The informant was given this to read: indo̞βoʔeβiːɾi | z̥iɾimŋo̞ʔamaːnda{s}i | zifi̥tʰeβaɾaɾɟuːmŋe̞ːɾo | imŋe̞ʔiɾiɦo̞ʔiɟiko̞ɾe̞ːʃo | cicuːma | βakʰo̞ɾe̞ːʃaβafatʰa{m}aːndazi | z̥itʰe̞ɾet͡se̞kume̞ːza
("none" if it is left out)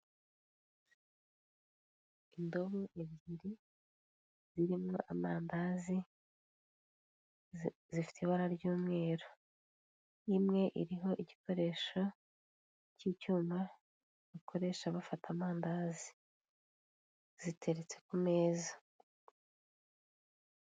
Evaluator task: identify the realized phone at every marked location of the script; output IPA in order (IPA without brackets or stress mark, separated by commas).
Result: z, m